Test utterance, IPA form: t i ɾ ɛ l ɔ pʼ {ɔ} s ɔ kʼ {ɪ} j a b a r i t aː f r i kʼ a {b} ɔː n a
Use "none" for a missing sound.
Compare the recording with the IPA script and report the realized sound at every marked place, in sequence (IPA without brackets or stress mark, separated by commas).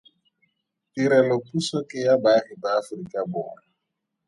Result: u, ɪ, b